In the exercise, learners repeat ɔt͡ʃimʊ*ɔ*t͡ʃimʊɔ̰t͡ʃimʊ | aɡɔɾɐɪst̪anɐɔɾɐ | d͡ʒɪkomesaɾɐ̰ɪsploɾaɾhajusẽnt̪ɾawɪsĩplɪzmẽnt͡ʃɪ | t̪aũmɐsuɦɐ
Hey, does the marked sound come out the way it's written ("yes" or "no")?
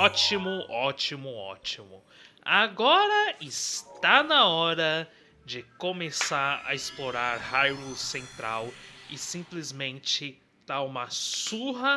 yes